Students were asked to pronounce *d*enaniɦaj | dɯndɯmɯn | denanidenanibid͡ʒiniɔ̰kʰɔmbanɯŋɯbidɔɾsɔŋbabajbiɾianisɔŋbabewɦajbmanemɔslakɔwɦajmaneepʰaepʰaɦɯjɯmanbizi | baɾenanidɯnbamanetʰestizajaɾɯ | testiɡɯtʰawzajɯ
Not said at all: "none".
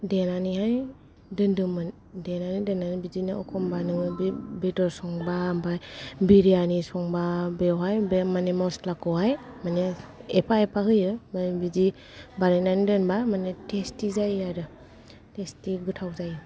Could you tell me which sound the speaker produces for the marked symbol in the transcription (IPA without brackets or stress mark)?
d